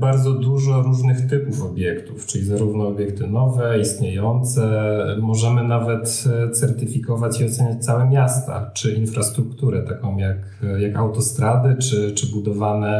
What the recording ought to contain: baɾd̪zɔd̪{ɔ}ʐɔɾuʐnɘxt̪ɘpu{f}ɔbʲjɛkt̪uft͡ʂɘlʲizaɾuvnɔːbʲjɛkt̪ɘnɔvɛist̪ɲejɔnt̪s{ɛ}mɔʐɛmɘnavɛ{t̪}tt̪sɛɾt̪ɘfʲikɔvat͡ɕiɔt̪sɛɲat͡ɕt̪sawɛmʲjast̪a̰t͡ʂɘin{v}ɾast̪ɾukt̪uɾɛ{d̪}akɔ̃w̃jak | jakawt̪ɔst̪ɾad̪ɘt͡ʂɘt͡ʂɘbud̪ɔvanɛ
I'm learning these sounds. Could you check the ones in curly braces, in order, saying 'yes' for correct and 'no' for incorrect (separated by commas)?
no, yes, yes, yes, no, no